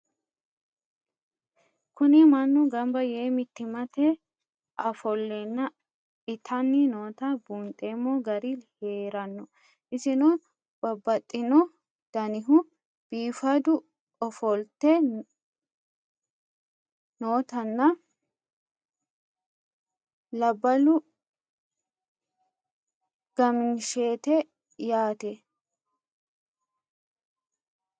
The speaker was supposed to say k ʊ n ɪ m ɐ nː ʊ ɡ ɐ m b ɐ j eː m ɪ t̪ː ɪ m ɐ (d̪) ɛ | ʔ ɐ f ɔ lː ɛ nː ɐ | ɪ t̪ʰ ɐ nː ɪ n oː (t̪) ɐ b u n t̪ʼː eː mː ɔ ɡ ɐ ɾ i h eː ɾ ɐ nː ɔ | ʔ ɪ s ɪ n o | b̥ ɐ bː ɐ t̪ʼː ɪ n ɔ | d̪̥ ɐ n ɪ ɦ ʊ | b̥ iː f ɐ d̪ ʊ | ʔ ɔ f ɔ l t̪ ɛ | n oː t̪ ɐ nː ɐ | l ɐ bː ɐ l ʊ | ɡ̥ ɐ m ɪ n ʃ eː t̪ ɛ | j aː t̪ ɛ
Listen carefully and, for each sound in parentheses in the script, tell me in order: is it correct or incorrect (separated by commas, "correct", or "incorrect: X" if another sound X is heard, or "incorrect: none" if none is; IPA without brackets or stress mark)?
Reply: incorrect: t̪, correct